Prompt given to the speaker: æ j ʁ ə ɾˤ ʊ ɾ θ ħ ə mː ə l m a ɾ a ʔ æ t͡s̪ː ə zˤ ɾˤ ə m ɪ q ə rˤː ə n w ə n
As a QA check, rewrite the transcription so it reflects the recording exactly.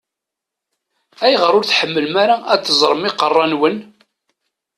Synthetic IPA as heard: æ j ʁ ə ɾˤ ʊ ɾ θ ħ ə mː ə l m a ɾ a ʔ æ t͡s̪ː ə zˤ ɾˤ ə m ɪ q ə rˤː ɑ n w ə n